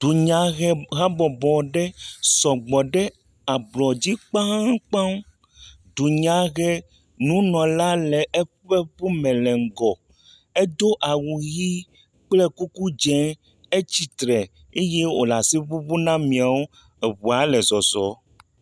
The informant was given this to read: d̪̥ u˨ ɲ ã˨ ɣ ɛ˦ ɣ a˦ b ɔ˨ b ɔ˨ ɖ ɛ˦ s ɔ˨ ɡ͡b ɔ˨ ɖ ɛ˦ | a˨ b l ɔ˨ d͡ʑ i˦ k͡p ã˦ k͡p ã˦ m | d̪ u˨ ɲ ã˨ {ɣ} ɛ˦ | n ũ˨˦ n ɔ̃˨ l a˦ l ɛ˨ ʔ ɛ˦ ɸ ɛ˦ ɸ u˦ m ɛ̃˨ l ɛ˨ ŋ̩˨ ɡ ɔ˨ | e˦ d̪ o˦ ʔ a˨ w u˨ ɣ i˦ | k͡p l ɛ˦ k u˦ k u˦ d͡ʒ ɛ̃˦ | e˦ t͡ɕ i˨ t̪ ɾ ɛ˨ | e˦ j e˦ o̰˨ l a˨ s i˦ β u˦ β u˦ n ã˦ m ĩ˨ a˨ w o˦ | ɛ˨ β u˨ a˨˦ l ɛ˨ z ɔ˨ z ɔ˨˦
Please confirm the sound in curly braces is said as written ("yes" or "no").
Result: yes